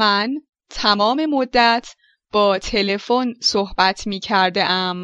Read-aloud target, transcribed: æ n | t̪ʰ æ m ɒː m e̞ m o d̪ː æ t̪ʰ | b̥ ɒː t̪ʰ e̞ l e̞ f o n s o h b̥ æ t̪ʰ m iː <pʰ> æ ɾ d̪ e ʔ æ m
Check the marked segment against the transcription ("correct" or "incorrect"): incorrect